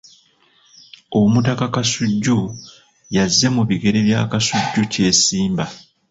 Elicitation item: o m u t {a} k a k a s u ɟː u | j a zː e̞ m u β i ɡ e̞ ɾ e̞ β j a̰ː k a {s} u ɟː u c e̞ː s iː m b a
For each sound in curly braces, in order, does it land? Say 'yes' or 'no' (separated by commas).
yes, yes